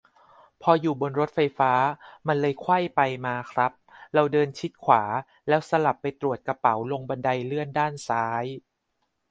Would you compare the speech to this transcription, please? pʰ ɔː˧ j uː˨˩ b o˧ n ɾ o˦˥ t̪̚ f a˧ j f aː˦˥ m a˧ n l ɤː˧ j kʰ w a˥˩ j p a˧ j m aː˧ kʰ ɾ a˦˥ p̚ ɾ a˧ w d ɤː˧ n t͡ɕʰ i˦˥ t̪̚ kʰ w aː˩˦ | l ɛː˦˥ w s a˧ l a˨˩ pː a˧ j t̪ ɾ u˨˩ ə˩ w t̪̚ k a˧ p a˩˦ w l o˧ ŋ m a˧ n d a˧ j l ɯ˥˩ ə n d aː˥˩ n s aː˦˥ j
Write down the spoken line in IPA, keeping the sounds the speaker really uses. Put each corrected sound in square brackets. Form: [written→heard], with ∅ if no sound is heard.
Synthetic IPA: pʰ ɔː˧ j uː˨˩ b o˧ n ɾ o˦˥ t̪̚ f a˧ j f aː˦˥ m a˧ n l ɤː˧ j kʰ w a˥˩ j p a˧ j m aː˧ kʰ ɾ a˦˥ p̚ ɾ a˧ w d ɤː˧ n t͡ɕʰ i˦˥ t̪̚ kʰ w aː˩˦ | l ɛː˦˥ w s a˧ l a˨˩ pː a˧ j t̪ ɾ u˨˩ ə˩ [w→∅] t̪̚ k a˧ p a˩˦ w l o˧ ŋ [m→b] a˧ n d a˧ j l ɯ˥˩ ə n d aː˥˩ n s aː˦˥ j